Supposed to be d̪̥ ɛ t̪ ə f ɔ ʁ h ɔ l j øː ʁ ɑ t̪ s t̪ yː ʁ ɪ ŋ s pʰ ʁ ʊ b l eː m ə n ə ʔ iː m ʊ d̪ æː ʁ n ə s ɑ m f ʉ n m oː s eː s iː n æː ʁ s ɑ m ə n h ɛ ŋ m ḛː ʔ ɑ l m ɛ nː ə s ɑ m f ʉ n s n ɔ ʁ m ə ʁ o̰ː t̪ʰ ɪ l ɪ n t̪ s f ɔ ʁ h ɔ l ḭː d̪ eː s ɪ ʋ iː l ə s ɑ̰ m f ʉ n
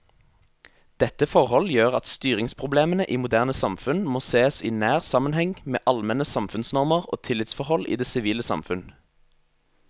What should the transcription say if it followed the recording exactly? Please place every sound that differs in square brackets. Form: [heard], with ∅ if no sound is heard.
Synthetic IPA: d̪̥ ɛ t̪ ə f ɔ ʁ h ɔ l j øː ʁ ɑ t̪ s t̪ yː ʁ ɪ ŋ s pʰ ʁ ʊ b l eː m ə n ə ʔ iː m ʊ d̪ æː ʁ n ə s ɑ m f ʉ n m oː s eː s iː n æː ʁ s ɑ m ə n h ɛ ŋ m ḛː ʔ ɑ l m ɛ [n] ə s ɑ m f ʉ n s n ɔ ʁ m ə ʁ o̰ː t̪ʰ ɪ l ɪ [∅] t̪ s f ɔ ʁ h ɔ l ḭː d̪ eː s ɪ ʋ iː l ə s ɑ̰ m f ʉ n